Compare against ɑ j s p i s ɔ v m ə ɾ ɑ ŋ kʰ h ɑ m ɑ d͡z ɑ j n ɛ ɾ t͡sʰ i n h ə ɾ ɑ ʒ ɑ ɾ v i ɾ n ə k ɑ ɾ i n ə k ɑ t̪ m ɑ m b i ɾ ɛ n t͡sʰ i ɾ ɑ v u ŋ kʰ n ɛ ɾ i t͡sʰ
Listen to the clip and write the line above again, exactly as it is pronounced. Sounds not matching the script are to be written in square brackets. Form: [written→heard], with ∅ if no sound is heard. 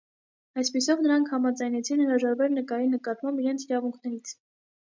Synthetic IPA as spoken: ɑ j s p i s ɔ v [m→n] ə ɾ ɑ ŋ kʰ h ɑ m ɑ d͡z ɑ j n ɛ [ɾ→∅] t͡sʰ i n h ə ɾ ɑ ʒ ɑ ɾ v [i→ɛ] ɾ n ə k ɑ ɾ i n ə k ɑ t̪ m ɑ m b i ɾ ɛ n t͡sʰ i ɾ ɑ v u ŋ kʰ n ɛ ɾ i t͡sʰ